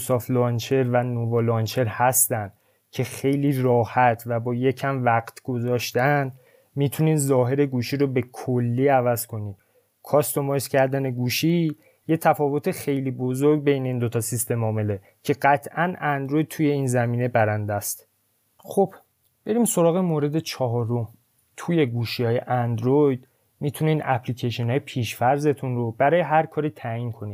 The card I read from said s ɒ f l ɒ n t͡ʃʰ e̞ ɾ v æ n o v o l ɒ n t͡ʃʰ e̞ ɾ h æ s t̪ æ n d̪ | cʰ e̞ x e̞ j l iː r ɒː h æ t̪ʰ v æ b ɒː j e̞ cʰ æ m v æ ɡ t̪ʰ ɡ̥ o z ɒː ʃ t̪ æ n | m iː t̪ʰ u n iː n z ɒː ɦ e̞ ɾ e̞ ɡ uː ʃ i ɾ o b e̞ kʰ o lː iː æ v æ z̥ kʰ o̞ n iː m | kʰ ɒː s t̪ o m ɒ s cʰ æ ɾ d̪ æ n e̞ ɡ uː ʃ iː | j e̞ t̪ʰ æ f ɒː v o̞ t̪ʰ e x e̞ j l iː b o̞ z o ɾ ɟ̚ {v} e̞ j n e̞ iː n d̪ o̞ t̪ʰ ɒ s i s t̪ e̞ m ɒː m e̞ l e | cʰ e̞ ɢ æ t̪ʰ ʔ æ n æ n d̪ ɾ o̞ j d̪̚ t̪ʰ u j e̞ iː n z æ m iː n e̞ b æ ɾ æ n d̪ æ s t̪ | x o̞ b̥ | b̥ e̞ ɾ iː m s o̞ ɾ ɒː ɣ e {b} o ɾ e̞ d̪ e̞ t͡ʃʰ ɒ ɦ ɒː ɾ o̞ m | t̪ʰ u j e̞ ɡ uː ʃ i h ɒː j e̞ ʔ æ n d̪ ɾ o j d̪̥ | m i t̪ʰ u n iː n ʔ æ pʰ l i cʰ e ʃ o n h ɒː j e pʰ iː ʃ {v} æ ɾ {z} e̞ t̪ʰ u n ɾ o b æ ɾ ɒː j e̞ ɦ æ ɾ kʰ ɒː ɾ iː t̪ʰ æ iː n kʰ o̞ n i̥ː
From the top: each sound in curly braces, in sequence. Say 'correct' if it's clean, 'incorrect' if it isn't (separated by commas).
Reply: incorrect, incorrect, incorrect, correct